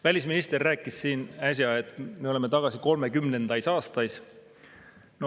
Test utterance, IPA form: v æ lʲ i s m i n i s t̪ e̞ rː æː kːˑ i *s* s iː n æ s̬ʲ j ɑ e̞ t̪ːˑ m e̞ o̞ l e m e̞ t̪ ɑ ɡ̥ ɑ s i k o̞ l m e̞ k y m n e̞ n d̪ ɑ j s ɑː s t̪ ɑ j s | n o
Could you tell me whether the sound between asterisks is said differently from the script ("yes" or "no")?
no